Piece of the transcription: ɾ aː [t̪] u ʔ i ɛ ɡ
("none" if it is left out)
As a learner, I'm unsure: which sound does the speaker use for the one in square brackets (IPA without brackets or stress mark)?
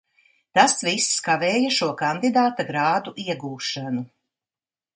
d̪